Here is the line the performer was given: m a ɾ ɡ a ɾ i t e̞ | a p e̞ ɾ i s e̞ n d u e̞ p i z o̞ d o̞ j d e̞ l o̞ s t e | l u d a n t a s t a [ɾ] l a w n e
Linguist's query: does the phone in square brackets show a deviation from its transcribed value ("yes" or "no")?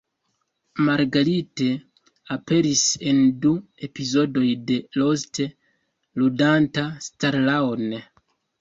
no